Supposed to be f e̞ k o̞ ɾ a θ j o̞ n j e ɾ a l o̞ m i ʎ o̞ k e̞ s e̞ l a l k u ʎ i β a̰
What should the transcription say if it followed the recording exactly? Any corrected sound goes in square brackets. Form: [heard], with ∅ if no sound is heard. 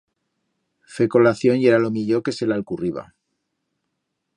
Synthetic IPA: f e̞ k o̞ [l] a θ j o̞ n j e ɾ a l o̞ m i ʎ o̞ k e̞ s e̞ l a l k u [r] i β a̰